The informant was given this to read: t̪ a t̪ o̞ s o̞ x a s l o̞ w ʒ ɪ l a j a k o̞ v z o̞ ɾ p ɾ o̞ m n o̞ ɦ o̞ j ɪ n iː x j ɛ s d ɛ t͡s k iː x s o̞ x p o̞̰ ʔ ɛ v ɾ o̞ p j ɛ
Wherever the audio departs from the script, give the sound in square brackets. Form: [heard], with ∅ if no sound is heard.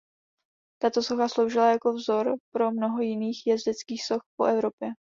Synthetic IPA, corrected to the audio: t̪ a t̪ o̞ s o̞ x a s l o̞ w ʒ ɪ l a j a k o̞ v z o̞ ɾ p ɾ o̞ m n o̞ ɦ o̞ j ɪ n iː x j ɛ [z] d ɛ t͡s k iː x s o̞ x p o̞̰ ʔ ɛ v ɾ o̞ p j ɛ

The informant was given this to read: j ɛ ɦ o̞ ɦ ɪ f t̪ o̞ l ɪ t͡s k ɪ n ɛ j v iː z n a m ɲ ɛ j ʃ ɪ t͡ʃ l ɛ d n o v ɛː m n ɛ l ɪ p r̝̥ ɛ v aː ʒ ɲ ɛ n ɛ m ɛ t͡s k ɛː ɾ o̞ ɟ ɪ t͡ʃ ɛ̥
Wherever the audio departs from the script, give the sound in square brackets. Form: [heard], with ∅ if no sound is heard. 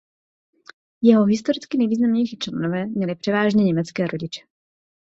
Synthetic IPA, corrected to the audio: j ɛ ɦ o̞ ɦ ɪ [s] t̪ o̞ [ɾ] ɪ t͡s k ɪ n ɛ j v iː z n a m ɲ ɛ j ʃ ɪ t͡ʃ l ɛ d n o v ɛː m [ɲ] ɛ l ɪ p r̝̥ ɛ v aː ʒ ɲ ɛ [ɲ] ɛ m ɛ t͡s k ɛː ɾ o̞ ɟ ɪ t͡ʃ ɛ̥

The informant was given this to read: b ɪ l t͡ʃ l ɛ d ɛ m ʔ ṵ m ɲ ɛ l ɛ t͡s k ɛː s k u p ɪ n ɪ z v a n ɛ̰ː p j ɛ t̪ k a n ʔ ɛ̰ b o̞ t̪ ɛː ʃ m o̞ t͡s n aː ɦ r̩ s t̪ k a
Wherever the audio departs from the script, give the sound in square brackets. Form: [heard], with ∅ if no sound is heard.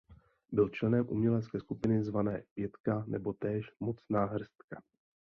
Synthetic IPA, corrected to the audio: b ɪ l t͡ʃ l ɛ [n] ɛ m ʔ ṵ m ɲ ɛ l ɛ t͡s k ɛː s k u p ɪ n ɪ z v a n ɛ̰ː p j ɛ t̪ k a n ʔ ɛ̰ b o̞ t̪ ɛː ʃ m o̞ t͡s n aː ɦ r̩ s t̪ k a

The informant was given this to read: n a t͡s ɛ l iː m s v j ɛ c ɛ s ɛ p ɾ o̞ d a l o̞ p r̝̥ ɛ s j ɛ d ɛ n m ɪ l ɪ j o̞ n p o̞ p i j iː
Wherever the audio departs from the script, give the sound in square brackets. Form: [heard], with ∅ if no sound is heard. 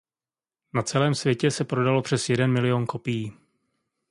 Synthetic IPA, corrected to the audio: n a t͡s ɛ l [ɛː] m s v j ɛ c ɛ s ɛ p ɾ o̞ d a l o̞ p r̝̥ ɛ s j ɛ d ɛ n m ɪ l ɪ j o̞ n [k] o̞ p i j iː

